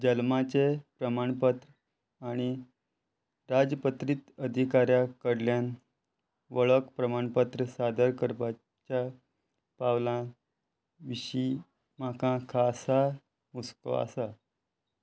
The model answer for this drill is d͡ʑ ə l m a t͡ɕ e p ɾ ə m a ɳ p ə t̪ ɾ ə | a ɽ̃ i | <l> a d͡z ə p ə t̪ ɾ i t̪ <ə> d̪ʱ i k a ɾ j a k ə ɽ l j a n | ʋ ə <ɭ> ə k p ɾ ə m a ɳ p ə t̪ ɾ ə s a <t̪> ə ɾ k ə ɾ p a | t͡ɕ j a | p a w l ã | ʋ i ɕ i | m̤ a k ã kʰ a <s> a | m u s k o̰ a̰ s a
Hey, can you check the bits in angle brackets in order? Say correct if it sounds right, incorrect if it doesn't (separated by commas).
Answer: incorrect, correct, correct, incorrect, correct